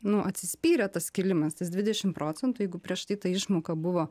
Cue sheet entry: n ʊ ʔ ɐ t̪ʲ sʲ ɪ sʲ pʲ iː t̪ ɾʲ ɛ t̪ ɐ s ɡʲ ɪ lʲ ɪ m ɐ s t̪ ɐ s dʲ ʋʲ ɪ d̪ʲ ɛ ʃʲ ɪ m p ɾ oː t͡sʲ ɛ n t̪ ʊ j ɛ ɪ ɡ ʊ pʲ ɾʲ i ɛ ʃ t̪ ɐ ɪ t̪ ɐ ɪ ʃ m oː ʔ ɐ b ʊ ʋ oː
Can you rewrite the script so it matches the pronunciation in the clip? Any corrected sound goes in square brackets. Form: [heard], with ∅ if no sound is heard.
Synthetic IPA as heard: n ʊ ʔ ɐ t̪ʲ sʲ ɪ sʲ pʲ iː [∅] ɾʲ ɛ t̪ ɐ s [kʲ] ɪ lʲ ɪ m ɐ s t̪ ɐ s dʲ ʋʲ ɪ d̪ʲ ɛ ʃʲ ɪ m p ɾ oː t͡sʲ ɛ n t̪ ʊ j ɛ ɪ ɡ ʊ pʲ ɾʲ i ɛ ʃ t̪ ɐ ɪ t̪ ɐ ɪ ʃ m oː [k] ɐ b ʊ ʋ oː